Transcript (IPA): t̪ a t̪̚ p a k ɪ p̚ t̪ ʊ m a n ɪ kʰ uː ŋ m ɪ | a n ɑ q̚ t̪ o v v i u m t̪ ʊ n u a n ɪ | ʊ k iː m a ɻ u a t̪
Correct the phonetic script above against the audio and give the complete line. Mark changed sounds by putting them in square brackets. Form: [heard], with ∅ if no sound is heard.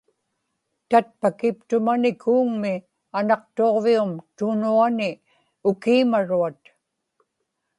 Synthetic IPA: t̪ a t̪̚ p a k ɪ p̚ t̪ ʊ m a n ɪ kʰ uː ŋ m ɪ | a n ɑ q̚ t̪ o [ʁ] v i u m t̪ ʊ n u a n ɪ | ʊ k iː m a ɻ u a t̪